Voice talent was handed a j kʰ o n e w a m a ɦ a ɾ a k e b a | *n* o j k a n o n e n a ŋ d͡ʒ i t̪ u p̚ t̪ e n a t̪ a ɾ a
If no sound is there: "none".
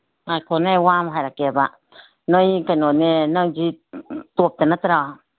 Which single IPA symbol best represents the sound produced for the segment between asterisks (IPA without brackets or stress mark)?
n